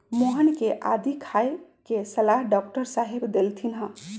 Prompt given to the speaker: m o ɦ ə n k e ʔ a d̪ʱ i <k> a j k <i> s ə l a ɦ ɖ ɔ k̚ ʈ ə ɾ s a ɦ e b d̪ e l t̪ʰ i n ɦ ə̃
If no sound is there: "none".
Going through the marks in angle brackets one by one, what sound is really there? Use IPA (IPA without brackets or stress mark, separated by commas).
kʰ, e